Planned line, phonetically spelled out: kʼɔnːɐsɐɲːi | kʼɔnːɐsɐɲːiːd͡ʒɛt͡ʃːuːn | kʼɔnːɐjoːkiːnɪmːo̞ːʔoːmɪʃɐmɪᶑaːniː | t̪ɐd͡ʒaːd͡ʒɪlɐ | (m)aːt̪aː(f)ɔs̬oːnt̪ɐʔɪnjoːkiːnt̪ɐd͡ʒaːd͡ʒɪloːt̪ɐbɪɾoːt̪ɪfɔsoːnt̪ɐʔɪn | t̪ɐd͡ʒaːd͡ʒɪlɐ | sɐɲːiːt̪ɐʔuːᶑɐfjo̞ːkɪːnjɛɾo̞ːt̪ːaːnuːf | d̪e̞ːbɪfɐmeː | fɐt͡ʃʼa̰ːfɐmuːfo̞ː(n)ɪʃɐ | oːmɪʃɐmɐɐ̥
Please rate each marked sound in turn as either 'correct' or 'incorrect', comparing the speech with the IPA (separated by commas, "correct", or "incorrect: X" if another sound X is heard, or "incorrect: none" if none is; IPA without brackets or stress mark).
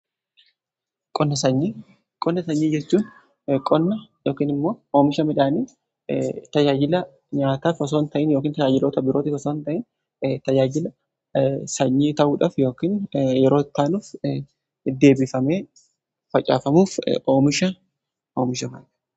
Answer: incorrect: ɲ, correct, incorrect: m